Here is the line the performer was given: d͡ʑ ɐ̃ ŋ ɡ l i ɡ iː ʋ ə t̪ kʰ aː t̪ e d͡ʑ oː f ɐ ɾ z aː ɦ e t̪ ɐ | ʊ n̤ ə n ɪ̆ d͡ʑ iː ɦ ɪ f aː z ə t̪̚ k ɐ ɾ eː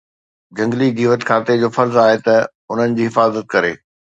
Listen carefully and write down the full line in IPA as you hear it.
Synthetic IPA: d͡ʑ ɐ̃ ŋ ɡ l i ɡ iː ʋ ə t̪ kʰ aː t̪ e d͡ʑ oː f ɐ ɾ z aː ɦ e t̪ ɐ | ʊ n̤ ə n ɪ̆ d͡ʑ iː ɦ ɪ f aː z ə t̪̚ k ɐ ɾ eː